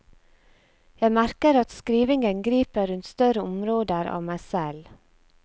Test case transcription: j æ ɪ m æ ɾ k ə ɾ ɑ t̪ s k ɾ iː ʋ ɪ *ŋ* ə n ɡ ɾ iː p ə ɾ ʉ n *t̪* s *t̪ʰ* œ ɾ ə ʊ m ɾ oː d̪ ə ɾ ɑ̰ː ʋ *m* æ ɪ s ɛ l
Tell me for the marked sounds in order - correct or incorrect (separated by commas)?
correct, correct, incorrect, correct